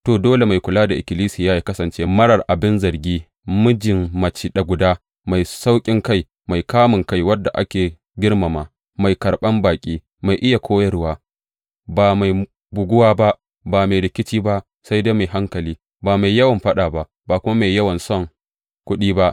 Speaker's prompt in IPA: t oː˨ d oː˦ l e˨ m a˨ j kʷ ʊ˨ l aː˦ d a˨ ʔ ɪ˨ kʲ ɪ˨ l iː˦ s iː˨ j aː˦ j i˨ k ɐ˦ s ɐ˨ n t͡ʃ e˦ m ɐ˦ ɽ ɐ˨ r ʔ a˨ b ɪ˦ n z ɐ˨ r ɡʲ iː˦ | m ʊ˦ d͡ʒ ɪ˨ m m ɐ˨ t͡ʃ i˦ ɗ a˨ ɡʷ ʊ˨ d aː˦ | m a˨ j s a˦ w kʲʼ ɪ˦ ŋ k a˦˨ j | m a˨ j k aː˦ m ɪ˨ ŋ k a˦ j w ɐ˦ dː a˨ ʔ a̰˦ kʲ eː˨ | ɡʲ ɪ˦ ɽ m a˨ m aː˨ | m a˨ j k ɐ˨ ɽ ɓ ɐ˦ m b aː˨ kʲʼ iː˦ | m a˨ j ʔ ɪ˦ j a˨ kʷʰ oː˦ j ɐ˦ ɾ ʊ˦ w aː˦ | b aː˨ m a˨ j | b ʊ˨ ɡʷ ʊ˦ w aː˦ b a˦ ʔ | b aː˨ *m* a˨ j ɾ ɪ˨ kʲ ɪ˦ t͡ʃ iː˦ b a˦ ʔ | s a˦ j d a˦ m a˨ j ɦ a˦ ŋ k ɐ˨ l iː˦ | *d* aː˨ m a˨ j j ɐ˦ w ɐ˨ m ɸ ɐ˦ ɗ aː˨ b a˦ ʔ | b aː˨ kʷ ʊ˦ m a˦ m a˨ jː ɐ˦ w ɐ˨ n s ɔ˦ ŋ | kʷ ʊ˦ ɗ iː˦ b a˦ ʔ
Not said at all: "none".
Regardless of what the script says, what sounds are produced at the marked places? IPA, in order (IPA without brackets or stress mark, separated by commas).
m, b